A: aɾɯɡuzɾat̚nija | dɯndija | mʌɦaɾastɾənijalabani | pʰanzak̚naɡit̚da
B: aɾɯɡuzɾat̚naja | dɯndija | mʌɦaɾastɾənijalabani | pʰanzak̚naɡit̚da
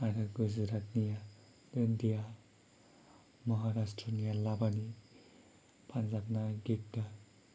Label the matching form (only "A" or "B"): A